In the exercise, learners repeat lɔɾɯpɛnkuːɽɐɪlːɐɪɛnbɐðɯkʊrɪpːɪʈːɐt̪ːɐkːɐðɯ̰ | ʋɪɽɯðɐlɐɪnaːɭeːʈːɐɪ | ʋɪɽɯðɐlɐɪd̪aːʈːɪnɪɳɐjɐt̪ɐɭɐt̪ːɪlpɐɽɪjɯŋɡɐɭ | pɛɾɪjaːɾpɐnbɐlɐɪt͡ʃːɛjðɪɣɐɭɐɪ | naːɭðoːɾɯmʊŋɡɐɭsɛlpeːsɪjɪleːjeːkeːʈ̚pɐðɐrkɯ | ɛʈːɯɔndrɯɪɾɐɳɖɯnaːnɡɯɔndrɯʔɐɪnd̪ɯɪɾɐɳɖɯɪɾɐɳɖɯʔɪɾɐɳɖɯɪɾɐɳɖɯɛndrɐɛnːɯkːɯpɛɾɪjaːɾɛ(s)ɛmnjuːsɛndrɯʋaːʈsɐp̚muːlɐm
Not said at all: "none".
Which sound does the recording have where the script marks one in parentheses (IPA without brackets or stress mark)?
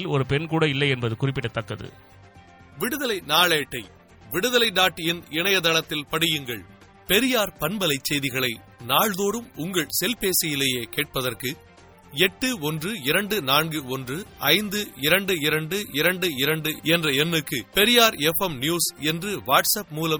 f